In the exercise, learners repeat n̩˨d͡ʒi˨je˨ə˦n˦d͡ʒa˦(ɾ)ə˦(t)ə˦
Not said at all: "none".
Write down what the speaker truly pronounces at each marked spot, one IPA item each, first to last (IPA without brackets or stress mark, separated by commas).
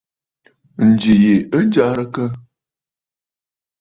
ɾ, k